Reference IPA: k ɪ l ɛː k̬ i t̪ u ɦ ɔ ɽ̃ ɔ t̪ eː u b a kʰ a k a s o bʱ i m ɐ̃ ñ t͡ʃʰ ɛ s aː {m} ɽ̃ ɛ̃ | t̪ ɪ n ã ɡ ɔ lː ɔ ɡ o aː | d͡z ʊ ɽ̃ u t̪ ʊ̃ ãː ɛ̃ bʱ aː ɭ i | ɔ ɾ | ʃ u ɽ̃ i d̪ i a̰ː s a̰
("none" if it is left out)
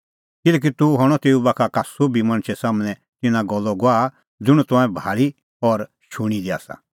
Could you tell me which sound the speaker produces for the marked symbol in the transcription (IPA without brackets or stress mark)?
m